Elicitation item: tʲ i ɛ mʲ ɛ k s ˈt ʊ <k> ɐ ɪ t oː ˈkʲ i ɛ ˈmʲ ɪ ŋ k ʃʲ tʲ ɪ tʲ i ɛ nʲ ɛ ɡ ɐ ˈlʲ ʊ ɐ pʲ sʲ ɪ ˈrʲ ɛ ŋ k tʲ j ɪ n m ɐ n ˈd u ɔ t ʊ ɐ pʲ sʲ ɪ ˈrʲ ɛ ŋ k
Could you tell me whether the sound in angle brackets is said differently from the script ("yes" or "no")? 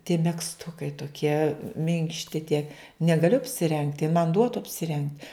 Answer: no